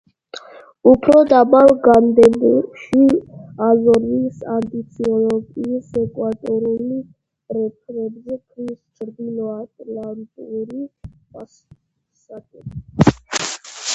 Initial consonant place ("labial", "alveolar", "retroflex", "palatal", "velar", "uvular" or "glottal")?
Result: labial